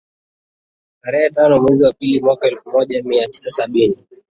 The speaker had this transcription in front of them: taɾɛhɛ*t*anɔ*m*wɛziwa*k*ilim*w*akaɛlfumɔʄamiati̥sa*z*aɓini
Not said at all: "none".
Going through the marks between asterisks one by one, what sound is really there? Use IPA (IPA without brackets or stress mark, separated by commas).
t, m, p, w, s